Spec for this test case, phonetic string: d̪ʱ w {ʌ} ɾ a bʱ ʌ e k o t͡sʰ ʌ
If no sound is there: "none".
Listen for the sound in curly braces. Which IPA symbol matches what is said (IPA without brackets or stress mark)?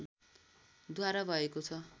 a